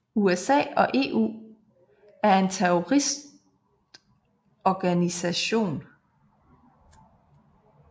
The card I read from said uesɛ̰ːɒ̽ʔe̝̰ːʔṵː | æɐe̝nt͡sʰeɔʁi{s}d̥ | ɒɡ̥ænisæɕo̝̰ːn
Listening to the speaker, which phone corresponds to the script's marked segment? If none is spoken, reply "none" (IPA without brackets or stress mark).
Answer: s